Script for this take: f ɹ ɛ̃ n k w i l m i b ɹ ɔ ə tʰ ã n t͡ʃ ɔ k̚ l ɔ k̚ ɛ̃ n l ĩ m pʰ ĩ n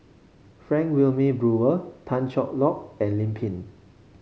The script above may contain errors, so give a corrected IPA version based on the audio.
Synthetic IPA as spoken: f ɹ ɛ̃ ŋ k w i l m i b ɹ u ə tʰ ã n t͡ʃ ɔ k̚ l ɔ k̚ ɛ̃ n l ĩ m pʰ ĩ n